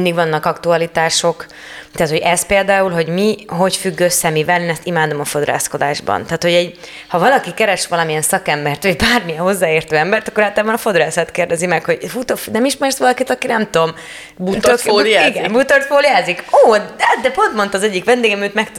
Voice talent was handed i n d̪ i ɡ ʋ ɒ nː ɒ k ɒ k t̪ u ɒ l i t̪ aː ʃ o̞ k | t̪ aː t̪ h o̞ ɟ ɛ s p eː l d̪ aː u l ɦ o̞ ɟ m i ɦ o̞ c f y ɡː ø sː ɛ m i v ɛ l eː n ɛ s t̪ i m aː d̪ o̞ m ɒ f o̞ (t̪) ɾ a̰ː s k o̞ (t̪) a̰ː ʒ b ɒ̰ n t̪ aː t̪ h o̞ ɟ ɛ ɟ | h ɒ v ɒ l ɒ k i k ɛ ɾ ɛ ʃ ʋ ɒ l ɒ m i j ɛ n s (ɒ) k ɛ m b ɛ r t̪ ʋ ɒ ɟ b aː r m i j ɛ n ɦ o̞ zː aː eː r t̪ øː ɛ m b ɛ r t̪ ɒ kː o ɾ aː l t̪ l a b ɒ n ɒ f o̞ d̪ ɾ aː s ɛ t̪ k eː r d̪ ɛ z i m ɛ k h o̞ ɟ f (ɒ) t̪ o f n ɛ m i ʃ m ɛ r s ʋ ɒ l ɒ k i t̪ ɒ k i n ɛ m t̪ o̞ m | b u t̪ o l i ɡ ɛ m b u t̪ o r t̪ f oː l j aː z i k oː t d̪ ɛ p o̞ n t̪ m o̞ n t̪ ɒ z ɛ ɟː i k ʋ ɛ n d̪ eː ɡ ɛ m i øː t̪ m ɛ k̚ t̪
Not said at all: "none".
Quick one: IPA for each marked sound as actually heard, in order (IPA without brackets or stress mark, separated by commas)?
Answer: d̪, d̪, ɒ, u